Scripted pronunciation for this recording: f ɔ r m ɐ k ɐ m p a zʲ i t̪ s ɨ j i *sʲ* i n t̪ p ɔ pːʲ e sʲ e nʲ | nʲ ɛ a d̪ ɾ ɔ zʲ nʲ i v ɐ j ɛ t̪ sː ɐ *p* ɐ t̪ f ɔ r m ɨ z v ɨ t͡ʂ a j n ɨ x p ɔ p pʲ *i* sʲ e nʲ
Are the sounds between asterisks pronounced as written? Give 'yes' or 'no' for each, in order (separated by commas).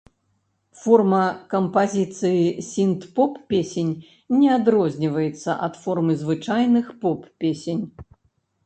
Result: yes, no, no